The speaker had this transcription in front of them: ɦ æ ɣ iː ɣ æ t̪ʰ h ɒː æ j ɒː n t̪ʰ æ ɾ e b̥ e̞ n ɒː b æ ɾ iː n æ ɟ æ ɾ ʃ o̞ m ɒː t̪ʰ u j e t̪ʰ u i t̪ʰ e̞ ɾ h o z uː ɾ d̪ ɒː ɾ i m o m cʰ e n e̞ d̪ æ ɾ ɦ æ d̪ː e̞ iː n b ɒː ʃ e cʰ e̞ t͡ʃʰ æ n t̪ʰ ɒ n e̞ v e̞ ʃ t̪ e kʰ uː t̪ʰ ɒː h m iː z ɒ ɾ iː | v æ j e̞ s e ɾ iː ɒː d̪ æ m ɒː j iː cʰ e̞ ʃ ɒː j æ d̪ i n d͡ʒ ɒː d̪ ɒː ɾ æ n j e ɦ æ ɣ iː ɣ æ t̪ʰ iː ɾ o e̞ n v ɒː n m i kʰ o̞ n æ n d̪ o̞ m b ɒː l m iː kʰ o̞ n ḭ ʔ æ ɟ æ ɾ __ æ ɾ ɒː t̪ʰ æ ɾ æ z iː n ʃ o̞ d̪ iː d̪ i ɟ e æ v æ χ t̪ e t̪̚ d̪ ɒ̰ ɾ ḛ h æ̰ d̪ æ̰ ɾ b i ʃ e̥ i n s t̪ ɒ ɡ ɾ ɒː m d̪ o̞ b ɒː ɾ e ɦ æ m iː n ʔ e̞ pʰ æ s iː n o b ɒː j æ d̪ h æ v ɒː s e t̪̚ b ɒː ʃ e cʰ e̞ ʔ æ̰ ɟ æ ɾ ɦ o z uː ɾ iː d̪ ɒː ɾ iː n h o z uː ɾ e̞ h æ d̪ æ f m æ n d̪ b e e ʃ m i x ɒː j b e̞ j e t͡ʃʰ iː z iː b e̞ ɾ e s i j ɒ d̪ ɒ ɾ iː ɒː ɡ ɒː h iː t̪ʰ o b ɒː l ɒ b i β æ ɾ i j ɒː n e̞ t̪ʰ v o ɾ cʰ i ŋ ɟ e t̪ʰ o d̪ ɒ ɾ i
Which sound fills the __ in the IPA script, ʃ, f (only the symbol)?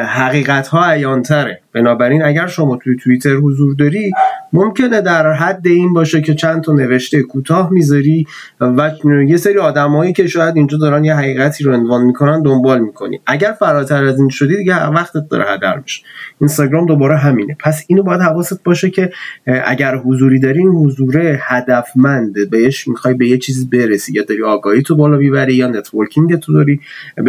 f